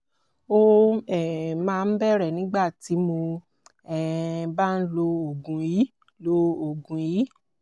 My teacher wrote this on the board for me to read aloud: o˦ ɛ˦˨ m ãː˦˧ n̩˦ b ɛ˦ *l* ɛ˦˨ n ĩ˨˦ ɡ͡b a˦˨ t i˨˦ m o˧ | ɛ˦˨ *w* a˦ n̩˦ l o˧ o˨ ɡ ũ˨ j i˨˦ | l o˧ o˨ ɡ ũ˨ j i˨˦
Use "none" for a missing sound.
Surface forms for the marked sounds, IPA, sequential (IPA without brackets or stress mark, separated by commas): ɾ, b